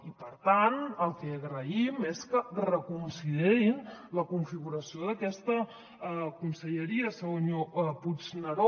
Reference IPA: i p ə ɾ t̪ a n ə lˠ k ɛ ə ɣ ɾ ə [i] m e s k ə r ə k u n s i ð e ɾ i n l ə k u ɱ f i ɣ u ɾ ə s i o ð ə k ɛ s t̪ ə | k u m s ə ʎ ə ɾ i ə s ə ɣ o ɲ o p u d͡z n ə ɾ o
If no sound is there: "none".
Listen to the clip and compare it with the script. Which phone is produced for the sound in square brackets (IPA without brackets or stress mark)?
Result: i